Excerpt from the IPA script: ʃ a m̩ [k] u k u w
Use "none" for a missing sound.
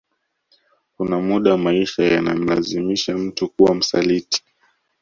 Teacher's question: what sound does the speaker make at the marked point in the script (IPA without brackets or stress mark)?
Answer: t